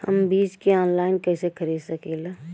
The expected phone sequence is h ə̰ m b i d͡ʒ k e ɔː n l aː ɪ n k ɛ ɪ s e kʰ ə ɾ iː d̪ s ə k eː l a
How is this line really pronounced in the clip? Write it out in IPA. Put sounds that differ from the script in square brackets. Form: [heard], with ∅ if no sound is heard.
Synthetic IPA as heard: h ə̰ m b [iː] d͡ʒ k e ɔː n l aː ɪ n k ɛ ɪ s e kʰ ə ɾ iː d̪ s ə k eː l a